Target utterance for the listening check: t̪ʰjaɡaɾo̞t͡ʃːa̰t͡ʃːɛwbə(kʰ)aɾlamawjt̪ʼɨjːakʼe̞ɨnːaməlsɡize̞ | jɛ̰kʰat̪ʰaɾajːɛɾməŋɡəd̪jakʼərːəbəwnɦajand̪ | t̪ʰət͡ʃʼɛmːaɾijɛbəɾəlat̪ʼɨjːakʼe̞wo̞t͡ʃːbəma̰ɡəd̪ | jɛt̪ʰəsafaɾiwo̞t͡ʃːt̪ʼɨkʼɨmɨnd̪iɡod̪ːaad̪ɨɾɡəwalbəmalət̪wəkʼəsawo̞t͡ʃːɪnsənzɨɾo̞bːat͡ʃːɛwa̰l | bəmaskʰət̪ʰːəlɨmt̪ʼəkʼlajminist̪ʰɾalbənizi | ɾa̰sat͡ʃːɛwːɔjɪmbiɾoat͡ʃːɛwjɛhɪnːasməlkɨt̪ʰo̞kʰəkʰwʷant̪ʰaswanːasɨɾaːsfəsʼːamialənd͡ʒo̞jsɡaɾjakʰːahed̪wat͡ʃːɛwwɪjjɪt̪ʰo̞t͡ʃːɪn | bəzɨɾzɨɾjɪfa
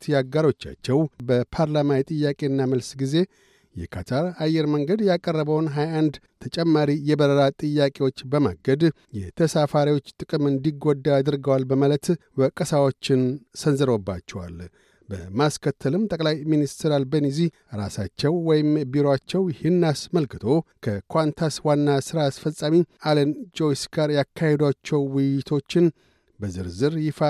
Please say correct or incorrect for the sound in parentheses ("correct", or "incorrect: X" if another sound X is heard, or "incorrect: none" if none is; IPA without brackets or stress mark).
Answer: incorrect: pʰ